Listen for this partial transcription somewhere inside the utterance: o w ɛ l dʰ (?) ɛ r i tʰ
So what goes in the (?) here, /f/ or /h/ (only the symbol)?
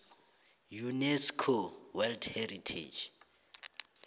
h